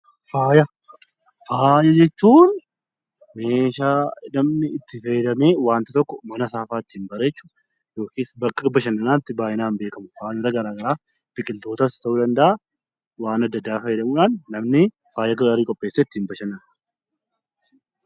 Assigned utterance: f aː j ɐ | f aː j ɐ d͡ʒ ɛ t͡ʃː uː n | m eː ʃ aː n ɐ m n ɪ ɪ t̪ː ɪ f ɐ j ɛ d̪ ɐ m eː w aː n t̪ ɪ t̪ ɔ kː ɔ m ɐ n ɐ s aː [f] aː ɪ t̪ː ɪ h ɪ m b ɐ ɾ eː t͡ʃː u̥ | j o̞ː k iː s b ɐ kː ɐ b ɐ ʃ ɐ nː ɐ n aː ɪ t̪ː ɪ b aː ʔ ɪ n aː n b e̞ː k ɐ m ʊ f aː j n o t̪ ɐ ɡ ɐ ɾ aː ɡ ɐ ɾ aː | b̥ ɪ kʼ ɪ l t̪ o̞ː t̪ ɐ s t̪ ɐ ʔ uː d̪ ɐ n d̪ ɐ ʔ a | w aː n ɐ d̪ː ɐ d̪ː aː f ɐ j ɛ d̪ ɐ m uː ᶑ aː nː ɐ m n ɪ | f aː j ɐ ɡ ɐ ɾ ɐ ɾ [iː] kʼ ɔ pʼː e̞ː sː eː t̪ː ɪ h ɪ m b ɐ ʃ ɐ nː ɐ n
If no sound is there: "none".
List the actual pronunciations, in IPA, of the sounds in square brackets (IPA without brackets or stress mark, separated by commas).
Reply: f, iː